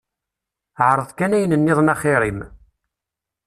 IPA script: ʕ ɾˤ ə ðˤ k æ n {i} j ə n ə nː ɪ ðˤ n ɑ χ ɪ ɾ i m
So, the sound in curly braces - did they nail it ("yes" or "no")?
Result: no